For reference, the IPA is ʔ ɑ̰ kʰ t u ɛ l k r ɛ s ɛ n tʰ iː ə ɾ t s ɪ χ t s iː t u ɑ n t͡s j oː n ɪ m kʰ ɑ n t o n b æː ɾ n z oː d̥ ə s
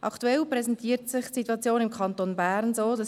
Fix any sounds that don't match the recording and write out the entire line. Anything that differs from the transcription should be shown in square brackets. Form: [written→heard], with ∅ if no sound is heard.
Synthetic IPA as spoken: ʔ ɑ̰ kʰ t u ɛ l [k→p] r ɛ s ɛ n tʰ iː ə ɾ t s ɪ χ t s [iː→i] t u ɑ [n→∅] t͡s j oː n ɪ m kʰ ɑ n t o n b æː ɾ n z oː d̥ [ə→ɑ] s